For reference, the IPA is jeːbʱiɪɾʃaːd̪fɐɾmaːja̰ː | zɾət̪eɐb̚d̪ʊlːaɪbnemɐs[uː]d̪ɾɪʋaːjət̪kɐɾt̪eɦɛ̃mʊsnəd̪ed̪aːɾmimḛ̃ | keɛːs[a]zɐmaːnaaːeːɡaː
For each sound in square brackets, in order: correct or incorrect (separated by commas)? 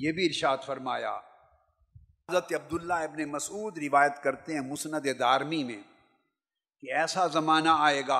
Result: correct, correct